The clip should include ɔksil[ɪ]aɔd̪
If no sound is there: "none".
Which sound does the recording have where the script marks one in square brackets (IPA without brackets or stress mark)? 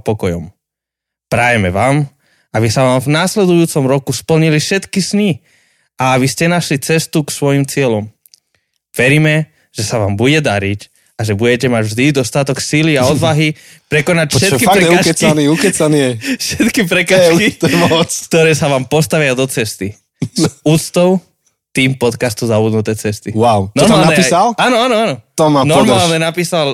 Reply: i